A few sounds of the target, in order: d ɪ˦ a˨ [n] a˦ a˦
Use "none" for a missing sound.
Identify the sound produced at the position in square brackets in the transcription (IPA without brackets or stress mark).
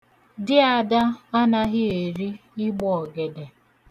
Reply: d